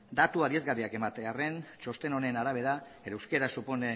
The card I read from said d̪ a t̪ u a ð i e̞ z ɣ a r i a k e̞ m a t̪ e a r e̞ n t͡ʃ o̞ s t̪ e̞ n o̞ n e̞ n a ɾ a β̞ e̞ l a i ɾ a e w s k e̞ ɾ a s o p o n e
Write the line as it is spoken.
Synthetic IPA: d̪ a t̪ u a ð i e̞ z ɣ a r i a k e̞ m a t̪ e a r e̞ n t͡ʃ o̞ s t̪ e̞ n o̞ n e̞ n a ɾ a β̞ e̞ ɾ a e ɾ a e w s k e̞ ɾ a s u p o n e